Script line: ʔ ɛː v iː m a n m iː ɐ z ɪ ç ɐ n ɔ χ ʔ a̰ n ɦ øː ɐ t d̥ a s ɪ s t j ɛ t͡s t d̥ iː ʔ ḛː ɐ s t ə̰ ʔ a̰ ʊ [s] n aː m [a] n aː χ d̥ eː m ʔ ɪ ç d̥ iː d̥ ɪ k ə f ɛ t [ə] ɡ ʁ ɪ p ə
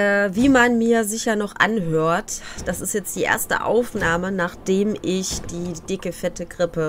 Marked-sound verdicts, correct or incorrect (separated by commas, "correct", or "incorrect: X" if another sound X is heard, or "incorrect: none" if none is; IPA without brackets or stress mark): incorrect: f, incorrect: ə, correct